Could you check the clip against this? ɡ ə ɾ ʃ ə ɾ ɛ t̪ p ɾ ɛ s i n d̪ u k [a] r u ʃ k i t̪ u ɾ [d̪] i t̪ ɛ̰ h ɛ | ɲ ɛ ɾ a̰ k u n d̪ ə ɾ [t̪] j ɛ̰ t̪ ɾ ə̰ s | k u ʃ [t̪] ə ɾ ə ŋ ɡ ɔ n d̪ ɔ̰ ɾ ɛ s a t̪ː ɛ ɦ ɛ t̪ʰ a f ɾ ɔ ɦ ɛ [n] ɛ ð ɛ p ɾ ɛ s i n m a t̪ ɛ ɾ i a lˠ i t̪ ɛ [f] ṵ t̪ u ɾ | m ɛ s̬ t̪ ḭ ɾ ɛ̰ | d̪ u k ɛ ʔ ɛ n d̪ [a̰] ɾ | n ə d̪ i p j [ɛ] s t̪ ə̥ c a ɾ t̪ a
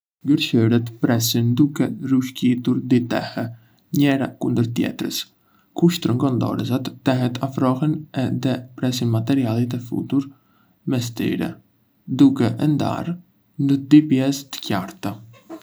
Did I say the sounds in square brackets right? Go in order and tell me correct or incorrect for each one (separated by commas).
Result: incorrect, correct, correct, correct, correct, correct, correct, correct